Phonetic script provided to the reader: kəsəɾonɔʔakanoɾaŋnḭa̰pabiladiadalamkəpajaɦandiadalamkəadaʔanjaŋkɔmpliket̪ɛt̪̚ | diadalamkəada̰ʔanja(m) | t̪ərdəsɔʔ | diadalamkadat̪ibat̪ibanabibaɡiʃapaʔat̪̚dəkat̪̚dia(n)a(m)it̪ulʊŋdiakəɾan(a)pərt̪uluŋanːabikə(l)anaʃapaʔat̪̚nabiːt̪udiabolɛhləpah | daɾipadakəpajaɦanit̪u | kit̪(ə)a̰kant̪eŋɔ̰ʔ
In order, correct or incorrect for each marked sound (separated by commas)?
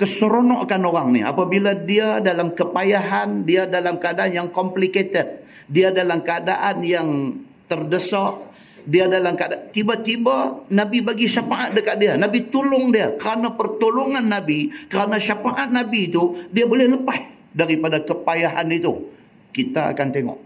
incorrect, correct, incorrect, correct, incorrect, incorrect